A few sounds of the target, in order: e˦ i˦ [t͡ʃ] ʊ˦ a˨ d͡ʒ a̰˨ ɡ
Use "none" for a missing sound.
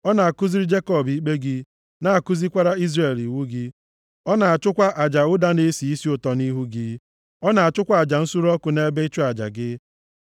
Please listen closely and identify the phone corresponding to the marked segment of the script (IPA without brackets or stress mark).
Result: t͡ʃ